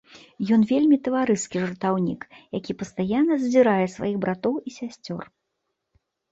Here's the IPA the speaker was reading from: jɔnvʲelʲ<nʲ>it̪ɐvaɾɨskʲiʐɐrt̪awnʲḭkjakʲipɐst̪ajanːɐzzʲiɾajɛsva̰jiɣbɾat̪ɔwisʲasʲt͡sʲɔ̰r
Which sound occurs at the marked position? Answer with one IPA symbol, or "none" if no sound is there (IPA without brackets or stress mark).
mʲ